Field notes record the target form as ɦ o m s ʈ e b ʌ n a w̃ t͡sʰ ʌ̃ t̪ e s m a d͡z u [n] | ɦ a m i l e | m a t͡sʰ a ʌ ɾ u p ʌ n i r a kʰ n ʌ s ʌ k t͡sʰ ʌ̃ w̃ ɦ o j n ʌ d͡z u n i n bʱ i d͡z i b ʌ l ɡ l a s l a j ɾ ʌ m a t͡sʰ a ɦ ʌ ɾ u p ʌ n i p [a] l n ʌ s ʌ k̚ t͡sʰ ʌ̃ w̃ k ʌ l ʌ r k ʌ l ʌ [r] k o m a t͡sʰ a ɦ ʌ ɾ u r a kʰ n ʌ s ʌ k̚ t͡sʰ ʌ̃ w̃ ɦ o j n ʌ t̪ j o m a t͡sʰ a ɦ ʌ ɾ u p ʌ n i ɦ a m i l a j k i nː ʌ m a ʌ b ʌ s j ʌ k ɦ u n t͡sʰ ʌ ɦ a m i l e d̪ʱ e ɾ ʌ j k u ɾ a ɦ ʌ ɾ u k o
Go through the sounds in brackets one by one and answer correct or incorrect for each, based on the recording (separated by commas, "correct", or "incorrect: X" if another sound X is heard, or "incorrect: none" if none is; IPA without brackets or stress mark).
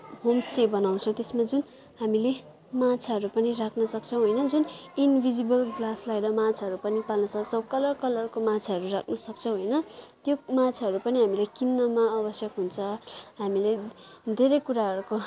correct, correct, correct